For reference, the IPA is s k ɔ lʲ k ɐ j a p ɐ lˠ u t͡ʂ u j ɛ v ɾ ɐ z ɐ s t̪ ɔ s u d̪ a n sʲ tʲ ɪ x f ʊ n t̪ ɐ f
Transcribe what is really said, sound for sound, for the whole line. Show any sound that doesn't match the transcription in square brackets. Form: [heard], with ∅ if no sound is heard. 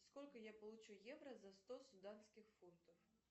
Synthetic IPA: s k ɔ lʲ k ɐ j a p ɐ lˠ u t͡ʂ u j ɛ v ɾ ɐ z ɐ s t̪ ɔ s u d̪ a n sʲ [kʲ] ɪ x f [u] n t̪ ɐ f